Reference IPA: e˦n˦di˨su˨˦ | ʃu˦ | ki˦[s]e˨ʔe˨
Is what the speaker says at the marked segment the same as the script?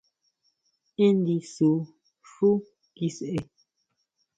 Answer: yes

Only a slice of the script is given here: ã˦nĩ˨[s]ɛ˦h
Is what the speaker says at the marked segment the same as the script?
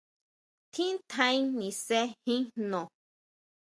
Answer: yes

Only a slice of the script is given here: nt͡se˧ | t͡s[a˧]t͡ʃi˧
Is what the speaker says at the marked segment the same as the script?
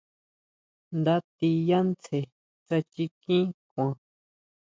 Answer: yes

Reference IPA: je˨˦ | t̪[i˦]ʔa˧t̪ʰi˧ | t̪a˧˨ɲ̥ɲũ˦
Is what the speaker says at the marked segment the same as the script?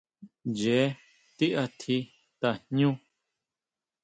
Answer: yes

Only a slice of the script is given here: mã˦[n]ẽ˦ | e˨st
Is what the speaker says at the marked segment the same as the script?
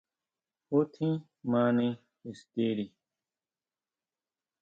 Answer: yes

